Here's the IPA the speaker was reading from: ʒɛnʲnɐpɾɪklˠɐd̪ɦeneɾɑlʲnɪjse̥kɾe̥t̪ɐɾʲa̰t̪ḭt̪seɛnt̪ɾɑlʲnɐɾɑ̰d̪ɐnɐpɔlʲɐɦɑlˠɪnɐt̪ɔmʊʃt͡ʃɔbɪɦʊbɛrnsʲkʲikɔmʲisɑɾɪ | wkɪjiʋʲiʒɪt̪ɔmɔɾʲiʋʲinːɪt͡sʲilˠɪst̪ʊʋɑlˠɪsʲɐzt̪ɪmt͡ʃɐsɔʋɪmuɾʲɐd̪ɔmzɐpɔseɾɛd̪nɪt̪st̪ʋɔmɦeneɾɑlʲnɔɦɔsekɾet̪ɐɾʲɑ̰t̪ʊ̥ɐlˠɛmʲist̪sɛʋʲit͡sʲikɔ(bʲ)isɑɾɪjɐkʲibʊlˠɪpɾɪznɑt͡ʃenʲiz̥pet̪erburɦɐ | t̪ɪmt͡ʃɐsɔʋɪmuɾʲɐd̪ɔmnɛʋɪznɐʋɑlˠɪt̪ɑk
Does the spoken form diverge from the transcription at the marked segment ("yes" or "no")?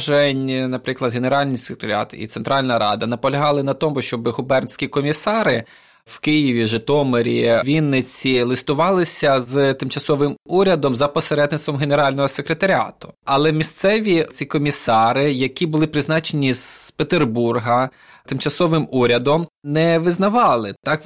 yes